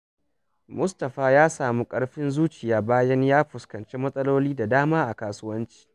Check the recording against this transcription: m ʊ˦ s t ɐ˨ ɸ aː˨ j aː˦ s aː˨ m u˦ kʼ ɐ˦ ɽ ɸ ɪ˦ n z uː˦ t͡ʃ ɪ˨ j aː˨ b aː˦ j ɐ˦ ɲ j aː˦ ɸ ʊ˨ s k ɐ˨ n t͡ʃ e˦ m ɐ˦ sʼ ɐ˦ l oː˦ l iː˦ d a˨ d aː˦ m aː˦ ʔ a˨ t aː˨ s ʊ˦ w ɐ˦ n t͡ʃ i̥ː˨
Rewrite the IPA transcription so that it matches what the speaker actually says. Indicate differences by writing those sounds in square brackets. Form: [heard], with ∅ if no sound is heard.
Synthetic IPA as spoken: m ʊ˦ s t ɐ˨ ɸ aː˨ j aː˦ s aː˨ m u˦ kʼ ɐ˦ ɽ ɸ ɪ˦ n z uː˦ t͡ʃ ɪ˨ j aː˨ b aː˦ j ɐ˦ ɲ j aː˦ ɸ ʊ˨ s k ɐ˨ n t͡ʃ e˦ m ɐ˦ sʼ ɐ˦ l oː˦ l iː˦ d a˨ d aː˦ m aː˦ ʔ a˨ [k] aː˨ s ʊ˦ w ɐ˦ n t͡ʃ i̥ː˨